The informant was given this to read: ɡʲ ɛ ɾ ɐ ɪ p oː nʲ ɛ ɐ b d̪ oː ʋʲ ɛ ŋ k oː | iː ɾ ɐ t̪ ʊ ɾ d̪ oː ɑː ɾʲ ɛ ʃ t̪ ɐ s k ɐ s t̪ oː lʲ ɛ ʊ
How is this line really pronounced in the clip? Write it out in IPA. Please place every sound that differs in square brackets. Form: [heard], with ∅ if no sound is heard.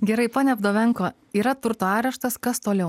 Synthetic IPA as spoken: ɡʲ ɛ ɾ ɐ ɪ p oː nʲ ɛ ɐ b d̪ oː ʋʲ ɛ ŋ k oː | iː ɾ ɐ t̪ ʊ ɾ [t̪] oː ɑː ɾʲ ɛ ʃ t̪ ɐ s k ɐ s t̪ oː lʲ ɛ ʊ

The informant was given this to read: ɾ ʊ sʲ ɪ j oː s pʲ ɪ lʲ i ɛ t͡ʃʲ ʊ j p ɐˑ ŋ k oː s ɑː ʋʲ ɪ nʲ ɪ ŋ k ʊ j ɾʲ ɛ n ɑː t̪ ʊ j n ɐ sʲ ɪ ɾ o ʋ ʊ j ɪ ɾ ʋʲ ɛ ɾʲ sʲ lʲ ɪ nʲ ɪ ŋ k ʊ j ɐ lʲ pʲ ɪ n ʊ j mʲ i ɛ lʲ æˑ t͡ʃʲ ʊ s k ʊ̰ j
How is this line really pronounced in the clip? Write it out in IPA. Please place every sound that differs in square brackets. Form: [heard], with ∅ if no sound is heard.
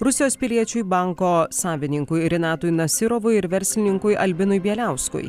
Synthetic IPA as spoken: ɾ ʊ sʲ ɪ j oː s pʲ ɪ lʲ i ɛ t͡ʃʲ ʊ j [b] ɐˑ ŋ k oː s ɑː ʋʲ ɪ nʲ ɪ ŋ k ʊ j ɾʲ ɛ n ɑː t̪ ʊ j n ɐ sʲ ɪ ɾ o ʋ ʊ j ɪ ɾ ʋʲ ɛ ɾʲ sʲ lʲ ɪ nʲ ɪ ŋ k ʊ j ɐ lʲ [bʲ] ɪ n ʊ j [bʲ] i ɛ lʲ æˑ [∅] ʊ s k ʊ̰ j

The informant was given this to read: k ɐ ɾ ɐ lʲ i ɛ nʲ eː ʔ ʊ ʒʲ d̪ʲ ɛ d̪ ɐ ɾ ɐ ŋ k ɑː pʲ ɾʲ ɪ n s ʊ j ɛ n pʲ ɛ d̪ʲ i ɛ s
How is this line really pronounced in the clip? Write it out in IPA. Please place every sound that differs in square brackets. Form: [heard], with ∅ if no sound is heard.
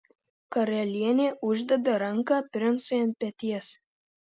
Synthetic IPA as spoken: k ɐ ɾ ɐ lʲ i ɛ nʲ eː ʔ ʊ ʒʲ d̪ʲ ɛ d̪ ɐ ɾ ɐ ŋ k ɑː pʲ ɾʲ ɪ n s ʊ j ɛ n pʲ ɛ [t̪ʲ] i ɛ s

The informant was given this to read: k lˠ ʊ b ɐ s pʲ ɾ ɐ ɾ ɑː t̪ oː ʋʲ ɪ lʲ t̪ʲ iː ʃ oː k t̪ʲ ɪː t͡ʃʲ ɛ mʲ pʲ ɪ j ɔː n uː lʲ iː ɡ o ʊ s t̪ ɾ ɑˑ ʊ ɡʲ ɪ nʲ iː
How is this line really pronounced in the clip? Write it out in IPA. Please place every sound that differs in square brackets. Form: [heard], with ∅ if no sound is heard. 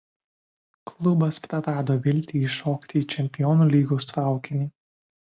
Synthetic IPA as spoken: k lˠ ʊ b ɐ s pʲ ɾ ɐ ɾ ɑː [d̪] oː ʋʲ ɪ lʲ t̪ʲ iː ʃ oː k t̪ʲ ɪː t͡ʃʲ ɛ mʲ pʲ ɪ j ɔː n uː lʲ iː ɡ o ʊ s t̪ ɾ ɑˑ ʊ [kʲ] ɪ nʲ iː

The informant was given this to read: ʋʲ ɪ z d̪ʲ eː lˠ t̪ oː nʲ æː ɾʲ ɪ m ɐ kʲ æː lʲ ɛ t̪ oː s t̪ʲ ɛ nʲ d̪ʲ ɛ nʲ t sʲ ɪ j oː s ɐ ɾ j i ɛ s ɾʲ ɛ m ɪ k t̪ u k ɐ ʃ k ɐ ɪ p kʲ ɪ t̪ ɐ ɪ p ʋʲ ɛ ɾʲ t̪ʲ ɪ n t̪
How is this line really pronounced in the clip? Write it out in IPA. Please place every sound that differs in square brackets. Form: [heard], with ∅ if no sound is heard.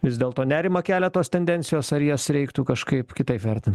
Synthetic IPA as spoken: ʋʲ ɪ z d̪ʲ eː lˠ t̪ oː nʲ æː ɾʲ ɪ m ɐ kʲ æː lʲ ɛ t̪ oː s t̪ʲ ɛ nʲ d̪ʲ ɛ nʲ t sʲ ɪ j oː s ɐ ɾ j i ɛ s ɾʲ ɛ [∅] ɪ k t̪ u k ɐ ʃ k ɐ ɪ p kʲ ɪ t̪ ɐ ɪ p ʋʲ ɛ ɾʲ t̪ʲ ɪ n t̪

